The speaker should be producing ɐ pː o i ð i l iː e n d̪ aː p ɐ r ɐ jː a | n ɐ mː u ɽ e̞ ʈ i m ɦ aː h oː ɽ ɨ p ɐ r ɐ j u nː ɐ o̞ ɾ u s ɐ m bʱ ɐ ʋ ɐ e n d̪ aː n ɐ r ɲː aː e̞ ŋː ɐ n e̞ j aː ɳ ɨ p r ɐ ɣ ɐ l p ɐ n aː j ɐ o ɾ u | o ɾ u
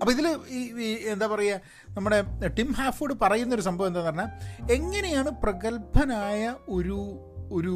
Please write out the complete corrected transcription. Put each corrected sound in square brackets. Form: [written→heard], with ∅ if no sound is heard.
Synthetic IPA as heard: ɐ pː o i ð i l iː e n d̪ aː p ɐ r ɐ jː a | n ɐ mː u ɽ e̞ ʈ i m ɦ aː [h→f] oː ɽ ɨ p ɐ r ɐ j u nː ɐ o̞ ɾ u s ɐ m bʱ ɐ ʋ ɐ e n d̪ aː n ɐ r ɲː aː e̞ ŋː ɐ n e̞ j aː ɳ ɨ p r ɐ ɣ ɐ l p ɐ n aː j ɐ o ɾ u | o ɾ u